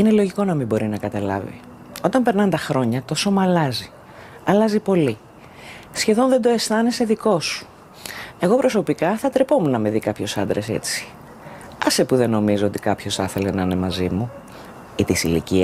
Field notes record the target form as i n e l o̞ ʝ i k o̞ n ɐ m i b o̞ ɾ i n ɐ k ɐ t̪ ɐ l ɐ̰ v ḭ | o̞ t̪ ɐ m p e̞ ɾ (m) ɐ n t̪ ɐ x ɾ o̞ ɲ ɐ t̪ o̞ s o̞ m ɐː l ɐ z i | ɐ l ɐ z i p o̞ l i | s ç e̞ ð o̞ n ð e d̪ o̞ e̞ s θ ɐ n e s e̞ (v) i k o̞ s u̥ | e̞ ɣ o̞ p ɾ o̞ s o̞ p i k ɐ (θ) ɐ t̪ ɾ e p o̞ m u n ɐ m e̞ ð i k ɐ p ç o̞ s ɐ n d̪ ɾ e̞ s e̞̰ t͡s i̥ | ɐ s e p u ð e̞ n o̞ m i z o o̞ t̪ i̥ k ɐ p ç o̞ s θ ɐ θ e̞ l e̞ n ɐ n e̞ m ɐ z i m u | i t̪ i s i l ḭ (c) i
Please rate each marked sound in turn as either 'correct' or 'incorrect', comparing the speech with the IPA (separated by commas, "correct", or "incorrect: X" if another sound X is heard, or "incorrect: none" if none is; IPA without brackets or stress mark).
incorrect: n, incorrect: ð, correct, correct